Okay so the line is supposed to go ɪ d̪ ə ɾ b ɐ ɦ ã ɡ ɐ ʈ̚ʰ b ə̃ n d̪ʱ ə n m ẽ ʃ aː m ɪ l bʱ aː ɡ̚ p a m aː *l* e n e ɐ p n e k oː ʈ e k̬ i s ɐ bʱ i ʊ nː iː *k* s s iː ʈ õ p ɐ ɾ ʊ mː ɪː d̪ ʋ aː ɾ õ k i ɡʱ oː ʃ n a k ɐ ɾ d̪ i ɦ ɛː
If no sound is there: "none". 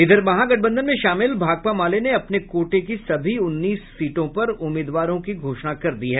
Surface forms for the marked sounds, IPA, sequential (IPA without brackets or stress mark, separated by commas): l, none